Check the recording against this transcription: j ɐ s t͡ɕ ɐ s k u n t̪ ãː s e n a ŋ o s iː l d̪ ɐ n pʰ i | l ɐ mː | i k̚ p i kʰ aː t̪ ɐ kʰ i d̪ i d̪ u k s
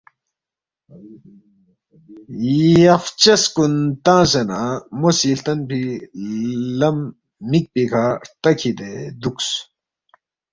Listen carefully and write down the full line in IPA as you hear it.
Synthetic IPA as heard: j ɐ f t͡ɕ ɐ s k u n t̪ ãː s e n a m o s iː l t̪ ɐ n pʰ i | l ɐ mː | i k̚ p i kʰ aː t̪ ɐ kʰ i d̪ e d̪ u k s